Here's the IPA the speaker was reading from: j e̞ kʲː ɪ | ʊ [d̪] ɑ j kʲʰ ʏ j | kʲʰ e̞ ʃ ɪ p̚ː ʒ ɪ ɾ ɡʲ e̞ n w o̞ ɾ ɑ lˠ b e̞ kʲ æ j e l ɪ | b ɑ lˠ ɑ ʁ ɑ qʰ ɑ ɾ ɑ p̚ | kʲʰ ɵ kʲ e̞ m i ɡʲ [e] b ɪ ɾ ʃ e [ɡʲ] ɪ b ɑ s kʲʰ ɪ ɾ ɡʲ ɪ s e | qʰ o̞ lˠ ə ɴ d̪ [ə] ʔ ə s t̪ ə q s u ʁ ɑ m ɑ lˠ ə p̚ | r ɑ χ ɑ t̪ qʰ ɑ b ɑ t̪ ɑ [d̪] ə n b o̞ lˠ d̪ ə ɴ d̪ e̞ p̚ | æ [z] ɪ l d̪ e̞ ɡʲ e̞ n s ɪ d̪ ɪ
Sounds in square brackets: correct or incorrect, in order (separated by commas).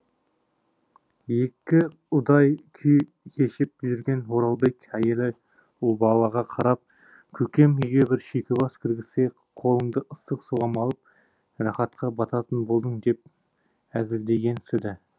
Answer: correct, correct, incorrect, correct, incorrect, correct